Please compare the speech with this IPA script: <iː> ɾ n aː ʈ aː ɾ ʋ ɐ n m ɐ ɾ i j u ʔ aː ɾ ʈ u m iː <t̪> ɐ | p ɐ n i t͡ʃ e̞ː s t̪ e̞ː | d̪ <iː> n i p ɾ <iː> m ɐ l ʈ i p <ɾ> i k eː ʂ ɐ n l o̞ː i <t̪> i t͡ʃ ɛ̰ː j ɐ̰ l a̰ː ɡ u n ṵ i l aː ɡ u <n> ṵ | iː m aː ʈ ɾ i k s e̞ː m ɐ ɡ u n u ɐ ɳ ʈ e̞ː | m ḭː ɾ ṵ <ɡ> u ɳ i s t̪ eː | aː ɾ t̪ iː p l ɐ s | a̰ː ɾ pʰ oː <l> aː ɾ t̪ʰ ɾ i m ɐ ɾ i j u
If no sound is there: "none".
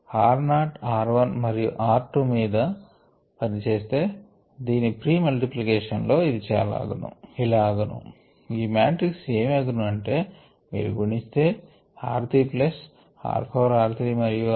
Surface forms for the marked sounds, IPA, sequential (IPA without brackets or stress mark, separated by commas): aː, d̪, iː, iː, l, d̪, n, ɡ, ɾ